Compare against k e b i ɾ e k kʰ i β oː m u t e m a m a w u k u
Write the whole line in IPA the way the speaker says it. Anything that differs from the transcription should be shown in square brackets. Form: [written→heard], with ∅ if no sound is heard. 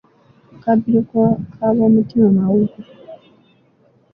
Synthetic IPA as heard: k [e→a] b i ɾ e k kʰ [i→a] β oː m u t [e→i] m a m a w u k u